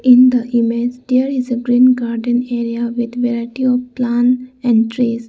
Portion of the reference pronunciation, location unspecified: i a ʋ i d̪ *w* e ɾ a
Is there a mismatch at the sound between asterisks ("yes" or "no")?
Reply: yes